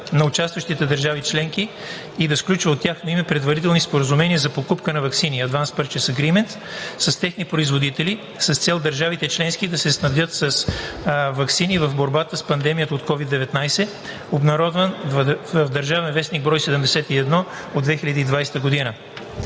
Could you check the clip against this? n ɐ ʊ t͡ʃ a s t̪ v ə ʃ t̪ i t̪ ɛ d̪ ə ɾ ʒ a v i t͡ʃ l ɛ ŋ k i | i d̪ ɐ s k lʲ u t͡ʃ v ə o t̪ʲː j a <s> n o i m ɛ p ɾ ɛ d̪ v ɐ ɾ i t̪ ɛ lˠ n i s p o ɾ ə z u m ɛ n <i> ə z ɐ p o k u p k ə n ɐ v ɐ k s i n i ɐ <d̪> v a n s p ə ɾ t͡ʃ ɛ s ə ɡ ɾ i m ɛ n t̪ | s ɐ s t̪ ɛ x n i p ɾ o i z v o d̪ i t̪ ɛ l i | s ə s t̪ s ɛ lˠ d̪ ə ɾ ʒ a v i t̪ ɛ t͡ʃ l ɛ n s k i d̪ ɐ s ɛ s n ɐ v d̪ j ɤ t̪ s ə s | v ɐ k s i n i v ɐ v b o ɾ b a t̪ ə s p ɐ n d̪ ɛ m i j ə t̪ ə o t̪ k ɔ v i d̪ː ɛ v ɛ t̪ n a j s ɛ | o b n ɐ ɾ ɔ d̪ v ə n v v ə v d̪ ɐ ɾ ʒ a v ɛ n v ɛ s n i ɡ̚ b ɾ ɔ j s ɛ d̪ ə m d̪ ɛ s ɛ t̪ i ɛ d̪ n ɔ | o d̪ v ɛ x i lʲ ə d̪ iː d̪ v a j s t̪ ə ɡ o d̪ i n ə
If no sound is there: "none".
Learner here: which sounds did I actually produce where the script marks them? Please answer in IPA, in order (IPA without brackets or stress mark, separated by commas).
x, i, d̪